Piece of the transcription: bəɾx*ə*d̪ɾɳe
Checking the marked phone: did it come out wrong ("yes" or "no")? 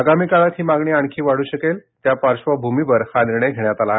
yes